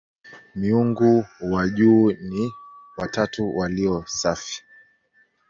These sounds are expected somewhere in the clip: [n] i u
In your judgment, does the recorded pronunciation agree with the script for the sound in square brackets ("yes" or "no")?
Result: no